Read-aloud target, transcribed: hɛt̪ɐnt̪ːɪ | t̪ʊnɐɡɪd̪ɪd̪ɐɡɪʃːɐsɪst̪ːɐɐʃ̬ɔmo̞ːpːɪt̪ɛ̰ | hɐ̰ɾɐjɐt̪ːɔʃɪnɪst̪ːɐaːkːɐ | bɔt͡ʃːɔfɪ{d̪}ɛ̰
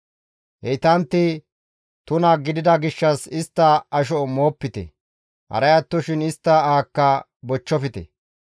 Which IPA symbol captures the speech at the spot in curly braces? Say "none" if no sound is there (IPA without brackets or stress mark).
t̪